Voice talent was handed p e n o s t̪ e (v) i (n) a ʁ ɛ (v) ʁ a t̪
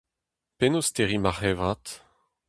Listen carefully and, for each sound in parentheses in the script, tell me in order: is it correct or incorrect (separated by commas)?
incorrect, incorrect, correct